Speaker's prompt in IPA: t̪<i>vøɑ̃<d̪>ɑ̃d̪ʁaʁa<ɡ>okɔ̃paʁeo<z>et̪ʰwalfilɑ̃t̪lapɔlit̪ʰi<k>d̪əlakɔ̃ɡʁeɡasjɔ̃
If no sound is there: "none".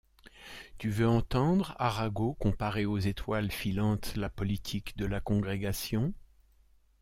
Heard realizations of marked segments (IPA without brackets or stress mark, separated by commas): y, t̪, ɡ, z, k